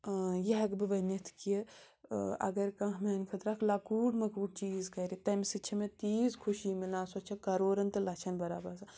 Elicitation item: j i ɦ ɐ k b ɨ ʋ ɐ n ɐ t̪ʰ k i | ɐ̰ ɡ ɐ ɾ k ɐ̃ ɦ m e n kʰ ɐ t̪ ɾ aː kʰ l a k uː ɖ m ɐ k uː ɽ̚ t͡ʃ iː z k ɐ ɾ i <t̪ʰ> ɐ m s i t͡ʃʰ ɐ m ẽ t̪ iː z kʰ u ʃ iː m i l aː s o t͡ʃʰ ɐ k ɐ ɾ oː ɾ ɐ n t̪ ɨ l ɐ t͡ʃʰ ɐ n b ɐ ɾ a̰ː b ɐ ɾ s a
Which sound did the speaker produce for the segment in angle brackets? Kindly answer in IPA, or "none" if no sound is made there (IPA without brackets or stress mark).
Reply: t̪